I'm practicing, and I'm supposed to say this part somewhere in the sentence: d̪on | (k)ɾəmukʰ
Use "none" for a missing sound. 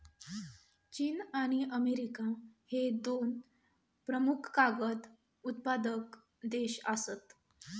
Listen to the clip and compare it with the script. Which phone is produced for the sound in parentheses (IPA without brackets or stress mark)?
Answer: p